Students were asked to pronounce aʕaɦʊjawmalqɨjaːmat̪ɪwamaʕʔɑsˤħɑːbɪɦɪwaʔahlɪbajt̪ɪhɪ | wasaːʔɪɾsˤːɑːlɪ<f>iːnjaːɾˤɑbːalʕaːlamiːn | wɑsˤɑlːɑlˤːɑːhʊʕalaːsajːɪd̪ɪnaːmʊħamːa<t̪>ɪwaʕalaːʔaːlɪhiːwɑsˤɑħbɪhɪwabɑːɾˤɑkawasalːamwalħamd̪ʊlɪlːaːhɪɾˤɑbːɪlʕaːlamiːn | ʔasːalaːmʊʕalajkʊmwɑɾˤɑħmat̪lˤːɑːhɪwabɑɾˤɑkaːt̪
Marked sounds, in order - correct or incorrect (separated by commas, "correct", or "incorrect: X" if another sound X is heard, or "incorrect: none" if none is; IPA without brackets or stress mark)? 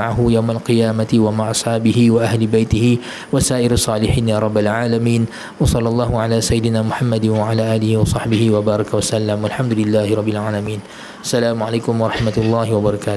incorrect: ħ, incorrect: d̪